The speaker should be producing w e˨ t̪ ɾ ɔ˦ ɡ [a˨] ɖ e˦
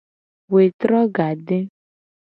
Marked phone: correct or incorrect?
correct